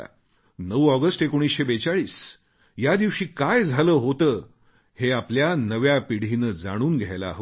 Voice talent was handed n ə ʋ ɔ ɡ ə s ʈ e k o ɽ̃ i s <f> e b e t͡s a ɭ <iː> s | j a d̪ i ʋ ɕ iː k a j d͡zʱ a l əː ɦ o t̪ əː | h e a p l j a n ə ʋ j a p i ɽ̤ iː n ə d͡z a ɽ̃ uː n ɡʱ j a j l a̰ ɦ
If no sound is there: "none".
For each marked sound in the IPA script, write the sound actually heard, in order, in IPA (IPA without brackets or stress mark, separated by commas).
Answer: ɕ, iː